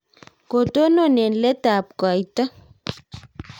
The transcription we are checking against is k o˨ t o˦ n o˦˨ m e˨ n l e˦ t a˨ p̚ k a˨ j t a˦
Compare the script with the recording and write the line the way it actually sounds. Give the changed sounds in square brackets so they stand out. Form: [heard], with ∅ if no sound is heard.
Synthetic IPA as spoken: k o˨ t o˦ n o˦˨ [n] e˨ n l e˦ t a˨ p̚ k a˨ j t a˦